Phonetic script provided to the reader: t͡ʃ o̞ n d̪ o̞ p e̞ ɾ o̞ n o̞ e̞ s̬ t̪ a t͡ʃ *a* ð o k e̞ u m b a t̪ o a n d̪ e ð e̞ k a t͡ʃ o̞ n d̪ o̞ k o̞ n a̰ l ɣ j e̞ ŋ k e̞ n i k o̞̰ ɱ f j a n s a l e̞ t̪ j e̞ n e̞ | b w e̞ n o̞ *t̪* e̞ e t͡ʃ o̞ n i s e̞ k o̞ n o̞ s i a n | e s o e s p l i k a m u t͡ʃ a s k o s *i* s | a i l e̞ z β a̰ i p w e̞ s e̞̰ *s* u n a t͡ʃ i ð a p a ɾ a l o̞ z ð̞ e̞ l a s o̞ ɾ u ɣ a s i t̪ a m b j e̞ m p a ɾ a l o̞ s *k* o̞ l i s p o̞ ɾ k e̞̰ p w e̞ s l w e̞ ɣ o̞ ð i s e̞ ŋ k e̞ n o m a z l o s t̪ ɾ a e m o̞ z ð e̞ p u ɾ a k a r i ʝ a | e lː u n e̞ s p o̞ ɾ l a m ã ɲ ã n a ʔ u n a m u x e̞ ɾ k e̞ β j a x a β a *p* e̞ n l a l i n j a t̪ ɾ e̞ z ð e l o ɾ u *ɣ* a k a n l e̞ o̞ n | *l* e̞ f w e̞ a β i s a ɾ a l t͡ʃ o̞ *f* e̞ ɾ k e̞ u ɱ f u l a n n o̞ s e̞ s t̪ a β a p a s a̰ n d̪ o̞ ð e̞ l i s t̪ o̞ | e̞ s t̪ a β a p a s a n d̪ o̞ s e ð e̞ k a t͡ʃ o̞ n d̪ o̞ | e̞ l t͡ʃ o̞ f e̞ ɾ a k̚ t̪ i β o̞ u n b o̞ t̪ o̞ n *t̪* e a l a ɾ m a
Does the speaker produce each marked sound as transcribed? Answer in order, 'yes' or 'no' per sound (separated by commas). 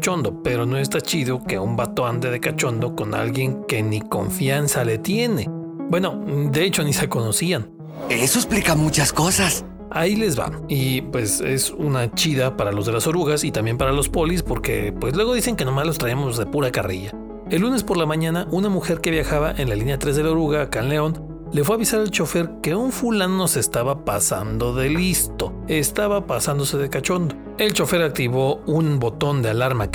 no, no, no, yes, no, no, yes, yes, yes, no